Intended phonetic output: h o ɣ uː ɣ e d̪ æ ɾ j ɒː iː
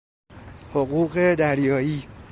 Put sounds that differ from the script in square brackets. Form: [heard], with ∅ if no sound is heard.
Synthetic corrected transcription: h o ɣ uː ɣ e d̪ æ ɾ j ɒː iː